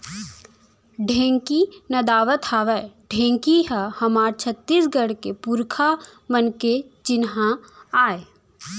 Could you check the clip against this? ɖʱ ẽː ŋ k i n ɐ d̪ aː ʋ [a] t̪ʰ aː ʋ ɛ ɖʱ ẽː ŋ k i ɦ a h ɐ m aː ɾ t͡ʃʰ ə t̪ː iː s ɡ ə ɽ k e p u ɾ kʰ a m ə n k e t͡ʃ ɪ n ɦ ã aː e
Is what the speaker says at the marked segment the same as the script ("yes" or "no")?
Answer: no